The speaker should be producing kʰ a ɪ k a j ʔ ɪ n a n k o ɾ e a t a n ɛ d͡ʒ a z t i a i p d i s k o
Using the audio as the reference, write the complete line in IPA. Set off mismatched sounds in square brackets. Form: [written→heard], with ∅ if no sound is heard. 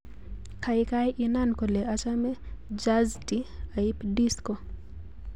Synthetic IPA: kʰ a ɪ k a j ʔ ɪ n a n k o [ɾ→l] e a [t→t͡ʃ] a [n→m] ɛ d͡ʒ a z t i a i p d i s k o

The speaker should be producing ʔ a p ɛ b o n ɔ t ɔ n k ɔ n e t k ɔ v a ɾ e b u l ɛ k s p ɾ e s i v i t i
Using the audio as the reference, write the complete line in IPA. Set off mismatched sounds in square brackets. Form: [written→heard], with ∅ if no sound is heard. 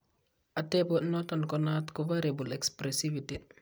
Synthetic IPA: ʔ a [p→t] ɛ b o n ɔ t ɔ n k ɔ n [e→a] t k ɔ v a ɾ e b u l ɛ k s p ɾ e s i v i t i

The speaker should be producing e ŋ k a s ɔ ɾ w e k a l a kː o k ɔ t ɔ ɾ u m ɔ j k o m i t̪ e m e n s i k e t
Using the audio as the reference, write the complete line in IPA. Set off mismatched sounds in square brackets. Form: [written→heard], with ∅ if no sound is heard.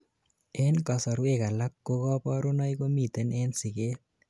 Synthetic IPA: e [ŋ→n] k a s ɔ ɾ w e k a l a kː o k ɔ [t→p] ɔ ɾ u [m→n] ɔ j k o m i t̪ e [m→n] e n s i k e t

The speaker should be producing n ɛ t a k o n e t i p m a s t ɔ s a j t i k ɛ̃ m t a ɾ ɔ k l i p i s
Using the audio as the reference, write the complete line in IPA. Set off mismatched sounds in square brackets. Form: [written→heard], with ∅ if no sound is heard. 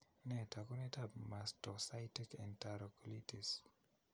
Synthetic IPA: n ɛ t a k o n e t [i→a] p m a s t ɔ s a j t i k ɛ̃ [m→n] t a ɾ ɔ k l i [p→t] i s

